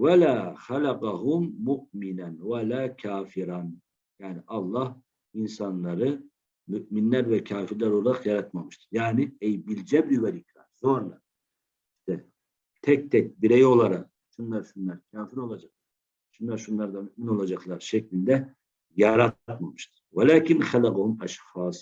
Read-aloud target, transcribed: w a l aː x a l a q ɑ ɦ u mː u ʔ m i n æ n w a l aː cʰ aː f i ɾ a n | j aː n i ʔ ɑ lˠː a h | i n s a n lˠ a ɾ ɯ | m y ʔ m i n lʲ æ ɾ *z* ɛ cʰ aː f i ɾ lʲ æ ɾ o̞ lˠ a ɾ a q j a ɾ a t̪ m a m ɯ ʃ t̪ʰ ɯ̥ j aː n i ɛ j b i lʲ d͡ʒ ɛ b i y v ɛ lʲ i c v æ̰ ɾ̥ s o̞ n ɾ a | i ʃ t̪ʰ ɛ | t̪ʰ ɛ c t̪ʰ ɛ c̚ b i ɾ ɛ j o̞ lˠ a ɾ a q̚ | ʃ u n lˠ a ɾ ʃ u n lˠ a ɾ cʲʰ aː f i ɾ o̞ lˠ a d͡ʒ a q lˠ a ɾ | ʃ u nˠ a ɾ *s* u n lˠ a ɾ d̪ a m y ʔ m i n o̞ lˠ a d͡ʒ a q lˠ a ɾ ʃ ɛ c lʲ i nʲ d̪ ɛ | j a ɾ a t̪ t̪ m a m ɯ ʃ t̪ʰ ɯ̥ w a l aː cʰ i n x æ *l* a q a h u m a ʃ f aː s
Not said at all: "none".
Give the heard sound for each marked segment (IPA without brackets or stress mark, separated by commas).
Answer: v, ʃ, l